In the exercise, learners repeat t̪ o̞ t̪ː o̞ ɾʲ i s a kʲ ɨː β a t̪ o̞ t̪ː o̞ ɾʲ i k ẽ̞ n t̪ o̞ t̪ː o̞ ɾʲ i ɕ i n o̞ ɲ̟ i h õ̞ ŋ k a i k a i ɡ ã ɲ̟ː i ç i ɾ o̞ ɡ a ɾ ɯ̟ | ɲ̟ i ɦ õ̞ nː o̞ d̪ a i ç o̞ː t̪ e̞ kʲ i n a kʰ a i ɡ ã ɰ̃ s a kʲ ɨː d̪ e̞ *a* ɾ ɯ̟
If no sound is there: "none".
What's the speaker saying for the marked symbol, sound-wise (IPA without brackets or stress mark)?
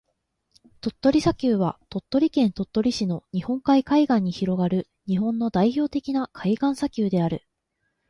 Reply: a